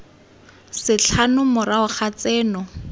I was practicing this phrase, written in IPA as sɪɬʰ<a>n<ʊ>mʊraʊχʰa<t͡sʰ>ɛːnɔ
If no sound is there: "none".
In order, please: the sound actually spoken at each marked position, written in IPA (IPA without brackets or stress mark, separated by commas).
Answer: a, ʊ, t͡s